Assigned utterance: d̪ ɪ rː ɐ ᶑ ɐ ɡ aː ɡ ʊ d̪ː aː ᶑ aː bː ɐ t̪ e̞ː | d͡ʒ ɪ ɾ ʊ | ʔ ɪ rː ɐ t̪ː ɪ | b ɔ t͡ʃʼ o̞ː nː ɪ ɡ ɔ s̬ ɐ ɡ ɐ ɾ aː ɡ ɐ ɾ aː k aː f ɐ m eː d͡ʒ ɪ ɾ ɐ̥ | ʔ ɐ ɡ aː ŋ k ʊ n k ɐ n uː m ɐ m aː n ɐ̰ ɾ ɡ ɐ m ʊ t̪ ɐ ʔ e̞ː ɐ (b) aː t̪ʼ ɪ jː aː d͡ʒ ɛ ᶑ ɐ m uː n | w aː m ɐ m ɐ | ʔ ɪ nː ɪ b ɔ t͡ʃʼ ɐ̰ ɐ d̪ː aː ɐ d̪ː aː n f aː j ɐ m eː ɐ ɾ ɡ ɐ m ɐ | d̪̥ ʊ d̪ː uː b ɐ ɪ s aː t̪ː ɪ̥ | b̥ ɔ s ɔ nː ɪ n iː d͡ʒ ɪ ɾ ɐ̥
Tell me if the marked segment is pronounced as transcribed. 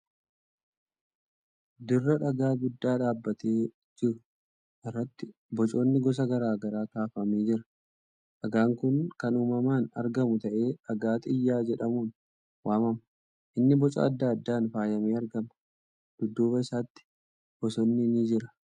no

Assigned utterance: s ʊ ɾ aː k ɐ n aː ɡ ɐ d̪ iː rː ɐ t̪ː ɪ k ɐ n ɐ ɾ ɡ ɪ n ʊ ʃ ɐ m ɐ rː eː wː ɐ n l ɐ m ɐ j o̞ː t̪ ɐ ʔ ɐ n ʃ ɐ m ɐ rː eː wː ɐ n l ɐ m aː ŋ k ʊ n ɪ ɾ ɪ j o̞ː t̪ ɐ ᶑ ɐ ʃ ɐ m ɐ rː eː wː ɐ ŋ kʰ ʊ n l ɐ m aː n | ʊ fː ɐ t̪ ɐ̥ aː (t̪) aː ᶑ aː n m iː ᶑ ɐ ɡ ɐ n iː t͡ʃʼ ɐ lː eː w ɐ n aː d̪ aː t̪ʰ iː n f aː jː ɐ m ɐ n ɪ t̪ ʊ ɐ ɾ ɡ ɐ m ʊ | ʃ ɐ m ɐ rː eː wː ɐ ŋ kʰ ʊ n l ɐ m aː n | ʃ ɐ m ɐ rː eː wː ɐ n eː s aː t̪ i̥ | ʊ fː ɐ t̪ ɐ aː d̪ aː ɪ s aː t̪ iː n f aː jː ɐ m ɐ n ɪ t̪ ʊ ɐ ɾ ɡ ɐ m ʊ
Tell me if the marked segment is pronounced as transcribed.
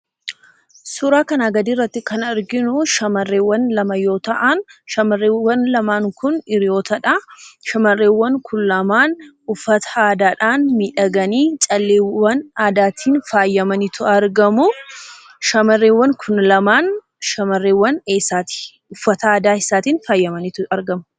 no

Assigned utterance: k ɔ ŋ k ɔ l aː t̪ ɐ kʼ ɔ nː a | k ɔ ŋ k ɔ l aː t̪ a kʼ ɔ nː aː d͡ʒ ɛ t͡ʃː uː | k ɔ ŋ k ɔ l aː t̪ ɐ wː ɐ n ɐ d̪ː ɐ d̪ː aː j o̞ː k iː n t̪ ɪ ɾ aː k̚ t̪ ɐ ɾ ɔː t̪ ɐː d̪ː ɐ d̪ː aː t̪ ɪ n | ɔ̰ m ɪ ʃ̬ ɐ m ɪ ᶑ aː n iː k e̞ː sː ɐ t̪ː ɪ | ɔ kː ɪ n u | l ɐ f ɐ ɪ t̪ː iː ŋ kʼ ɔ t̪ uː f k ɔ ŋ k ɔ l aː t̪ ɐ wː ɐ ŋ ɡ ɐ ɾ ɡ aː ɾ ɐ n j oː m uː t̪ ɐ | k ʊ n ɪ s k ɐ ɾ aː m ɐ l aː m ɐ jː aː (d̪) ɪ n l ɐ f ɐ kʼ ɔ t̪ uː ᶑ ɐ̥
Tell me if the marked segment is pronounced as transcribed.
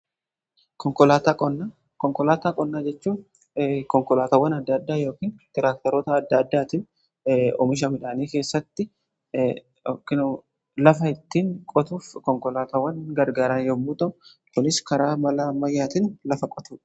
no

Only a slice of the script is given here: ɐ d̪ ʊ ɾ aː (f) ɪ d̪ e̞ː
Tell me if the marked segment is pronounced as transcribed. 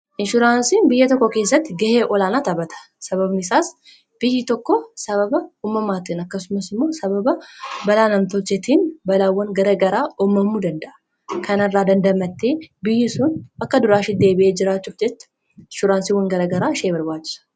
no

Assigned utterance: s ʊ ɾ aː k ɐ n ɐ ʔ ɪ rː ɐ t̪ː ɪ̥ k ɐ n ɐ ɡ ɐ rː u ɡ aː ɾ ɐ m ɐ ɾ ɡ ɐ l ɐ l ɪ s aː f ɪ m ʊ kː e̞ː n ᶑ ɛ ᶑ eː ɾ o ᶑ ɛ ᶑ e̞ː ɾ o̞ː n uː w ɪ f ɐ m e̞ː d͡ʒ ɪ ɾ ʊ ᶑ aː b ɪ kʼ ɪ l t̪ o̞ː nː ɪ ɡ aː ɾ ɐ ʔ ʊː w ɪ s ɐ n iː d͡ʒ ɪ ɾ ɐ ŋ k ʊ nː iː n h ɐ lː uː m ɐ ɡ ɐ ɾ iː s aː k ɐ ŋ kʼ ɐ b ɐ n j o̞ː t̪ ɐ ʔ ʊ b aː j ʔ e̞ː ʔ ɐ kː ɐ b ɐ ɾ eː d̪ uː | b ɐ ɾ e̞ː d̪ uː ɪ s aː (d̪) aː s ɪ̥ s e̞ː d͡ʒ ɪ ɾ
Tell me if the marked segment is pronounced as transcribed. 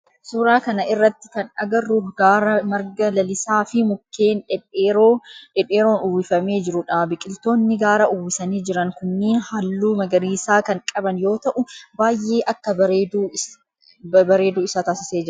no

